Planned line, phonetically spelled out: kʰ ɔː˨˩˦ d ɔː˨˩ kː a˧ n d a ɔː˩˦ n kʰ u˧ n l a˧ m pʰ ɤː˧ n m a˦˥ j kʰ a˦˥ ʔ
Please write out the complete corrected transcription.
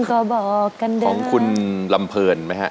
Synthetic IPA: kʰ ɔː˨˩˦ b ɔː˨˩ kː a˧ n d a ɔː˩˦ ŋ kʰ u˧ n l a˧ m pʰ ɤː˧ n m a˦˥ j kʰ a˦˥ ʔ